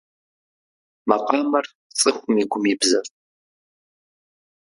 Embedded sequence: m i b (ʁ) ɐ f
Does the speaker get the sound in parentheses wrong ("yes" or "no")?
yes